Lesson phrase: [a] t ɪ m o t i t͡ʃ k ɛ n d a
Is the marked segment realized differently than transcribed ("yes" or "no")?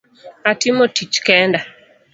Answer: no